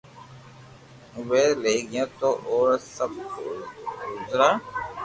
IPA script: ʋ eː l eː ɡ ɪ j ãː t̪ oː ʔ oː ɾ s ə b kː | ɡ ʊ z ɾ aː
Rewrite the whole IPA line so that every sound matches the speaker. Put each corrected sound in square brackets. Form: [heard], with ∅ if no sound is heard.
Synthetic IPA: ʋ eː l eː ɡ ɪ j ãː t̪ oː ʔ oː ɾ s ə b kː | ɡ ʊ z ɾ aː